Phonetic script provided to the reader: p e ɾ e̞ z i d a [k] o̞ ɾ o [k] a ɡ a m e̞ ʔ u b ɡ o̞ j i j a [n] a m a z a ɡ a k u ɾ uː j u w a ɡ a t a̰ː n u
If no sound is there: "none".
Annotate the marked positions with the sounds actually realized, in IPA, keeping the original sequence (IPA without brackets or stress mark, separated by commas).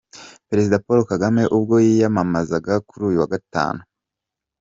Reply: p, k, m